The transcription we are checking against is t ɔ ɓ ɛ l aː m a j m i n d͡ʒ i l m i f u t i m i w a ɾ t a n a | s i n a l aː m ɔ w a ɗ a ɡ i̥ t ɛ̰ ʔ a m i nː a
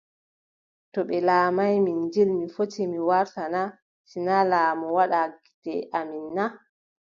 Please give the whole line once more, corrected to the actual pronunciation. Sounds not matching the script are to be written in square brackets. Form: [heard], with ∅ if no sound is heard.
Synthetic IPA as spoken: t ɔ ɓ ɛ l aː m a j m i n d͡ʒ i l m i f [o] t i m i w a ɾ t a n a | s i n a l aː m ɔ w a ɗ a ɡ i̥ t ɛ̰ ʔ a m i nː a